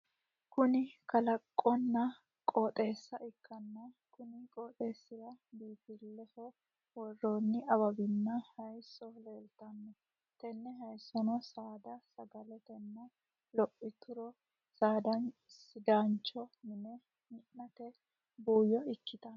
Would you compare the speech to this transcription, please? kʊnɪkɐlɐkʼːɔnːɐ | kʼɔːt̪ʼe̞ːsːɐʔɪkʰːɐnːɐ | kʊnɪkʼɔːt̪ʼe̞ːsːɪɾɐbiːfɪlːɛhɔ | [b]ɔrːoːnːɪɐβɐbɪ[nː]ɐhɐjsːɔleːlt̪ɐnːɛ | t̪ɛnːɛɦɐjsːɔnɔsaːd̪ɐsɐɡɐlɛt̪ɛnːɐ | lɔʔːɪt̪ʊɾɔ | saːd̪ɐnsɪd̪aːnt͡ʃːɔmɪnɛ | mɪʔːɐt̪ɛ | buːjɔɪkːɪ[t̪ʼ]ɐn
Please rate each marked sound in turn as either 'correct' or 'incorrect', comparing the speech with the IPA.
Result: incorrect, correct, incorrect

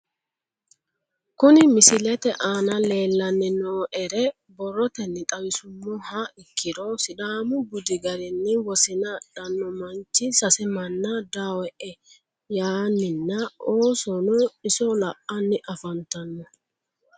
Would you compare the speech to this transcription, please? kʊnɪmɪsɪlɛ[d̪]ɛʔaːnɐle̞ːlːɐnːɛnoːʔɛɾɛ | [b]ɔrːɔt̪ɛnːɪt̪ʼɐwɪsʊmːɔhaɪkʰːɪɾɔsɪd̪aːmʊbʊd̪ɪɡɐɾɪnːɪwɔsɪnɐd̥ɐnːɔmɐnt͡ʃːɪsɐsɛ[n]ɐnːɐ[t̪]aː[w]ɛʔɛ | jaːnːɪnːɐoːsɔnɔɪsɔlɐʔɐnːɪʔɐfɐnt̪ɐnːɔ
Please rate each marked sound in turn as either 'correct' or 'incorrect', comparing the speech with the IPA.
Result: incorrect, correct, incorrect, incorrect, correct

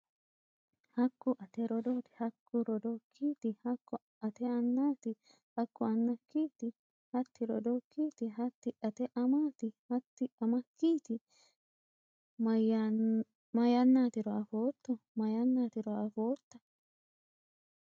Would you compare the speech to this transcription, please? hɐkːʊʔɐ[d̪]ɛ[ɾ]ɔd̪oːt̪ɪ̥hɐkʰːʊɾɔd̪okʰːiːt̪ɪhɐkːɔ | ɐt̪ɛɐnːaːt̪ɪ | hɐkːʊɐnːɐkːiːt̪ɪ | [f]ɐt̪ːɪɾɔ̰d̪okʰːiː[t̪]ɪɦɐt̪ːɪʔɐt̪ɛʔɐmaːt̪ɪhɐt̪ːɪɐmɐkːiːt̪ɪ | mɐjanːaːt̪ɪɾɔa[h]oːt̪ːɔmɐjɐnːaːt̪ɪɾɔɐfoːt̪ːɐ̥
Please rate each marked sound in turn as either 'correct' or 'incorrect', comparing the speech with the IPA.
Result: incorrect, correct, incorrect, correct, incorrect

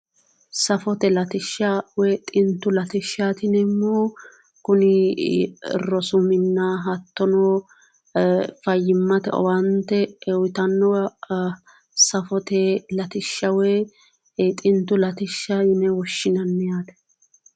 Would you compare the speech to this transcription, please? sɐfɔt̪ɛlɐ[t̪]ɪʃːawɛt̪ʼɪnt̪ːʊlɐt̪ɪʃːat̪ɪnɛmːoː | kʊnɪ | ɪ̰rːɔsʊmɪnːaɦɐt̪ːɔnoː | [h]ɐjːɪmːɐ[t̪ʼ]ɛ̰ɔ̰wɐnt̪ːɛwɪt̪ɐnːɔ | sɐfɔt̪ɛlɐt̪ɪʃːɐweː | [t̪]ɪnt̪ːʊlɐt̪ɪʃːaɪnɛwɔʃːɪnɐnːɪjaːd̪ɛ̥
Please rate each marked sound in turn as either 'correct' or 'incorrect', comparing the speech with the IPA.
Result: correct, incorrect, incorrect, incorrect

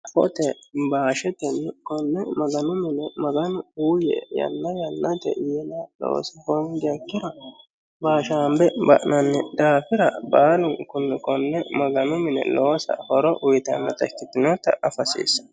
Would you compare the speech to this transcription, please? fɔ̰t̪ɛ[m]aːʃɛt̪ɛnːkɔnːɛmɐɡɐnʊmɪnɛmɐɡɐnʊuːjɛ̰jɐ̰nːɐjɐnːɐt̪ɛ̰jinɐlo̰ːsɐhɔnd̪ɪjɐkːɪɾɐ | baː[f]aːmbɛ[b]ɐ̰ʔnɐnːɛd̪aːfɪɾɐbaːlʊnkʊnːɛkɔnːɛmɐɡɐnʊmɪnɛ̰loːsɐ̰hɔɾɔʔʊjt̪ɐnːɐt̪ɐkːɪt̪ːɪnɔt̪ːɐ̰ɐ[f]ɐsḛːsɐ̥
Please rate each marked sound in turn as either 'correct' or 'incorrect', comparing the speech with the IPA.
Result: incorrect, incorrect, correct, correct

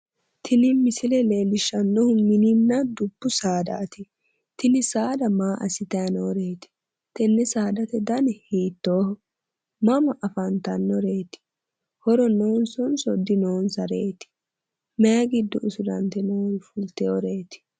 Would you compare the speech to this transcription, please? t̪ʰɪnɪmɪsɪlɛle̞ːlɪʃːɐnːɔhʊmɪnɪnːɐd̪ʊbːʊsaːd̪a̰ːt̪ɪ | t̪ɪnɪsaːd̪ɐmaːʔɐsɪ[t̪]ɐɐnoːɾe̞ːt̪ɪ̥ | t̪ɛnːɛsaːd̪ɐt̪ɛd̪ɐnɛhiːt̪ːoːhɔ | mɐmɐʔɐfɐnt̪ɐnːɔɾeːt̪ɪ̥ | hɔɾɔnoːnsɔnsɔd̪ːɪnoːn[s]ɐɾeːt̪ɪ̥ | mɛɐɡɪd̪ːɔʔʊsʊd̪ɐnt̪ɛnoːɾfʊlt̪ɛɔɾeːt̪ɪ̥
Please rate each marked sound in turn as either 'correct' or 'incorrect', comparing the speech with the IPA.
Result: correct, correct

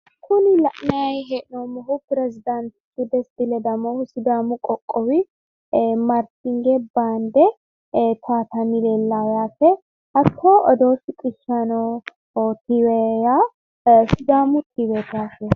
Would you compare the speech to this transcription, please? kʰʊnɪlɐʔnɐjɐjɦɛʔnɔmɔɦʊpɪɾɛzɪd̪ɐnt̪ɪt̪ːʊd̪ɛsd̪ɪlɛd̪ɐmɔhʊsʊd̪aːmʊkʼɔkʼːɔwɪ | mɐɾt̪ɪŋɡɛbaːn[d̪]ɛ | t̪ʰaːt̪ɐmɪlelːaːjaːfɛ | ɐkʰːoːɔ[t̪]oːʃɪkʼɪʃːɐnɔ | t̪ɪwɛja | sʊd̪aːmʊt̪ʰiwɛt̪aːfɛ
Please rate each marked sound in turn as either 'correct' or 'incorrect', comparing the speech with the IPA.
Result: correct, incorrect

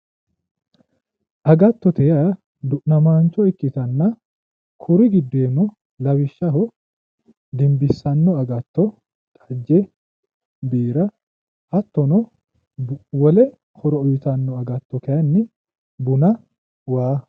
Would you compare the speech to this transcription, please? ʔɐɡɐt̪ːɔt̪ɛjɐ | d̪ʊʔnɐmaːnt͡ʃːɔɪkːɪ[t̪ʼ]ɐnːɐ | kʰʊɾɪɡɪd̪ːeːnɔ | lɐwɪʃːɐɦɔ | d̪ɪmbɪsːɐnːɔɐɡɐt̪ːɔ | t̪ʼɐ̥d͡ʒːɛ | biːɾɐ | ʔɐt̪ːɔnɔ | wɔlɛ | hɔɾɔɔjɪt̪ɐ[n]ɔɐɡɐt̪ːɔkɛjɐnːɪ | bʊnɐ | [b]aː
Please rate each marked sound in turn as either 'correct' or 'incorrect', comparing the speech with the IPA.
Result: incorrect, incorrect, incorrect

